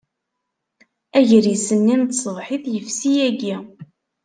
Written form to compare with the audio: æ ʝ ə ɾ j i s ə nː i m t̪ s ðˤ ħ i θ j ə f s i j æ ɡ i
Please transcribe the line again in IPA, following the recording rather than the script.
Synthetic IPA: æ ʝ ə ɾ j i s ə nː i m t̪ s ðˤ ħ i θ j ə f s i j æ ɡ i

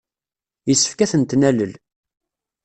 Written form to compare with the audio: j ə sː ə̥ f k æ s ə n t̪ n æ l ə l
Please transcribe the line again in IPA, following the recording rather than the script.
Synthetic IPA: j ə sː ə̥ f k æ θ ə n t̪ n æ l ə l

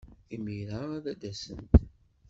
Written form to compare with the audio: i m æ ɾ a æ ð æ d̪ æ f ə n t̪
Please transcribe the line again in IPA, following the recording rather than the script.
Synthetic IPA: i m i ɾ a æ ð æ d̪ æ s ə n t̪

